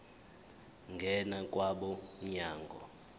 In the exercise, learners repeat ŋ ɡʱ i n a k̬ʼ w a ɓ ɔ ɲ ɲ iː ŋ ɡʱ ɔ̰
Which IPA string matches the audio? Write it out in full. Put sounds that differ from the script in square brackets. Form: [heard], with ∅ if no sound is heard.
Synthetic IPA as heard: ŋ ɡʱ [ɛ] n a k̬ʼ w a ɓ ɔ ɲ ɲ [aː] ŋ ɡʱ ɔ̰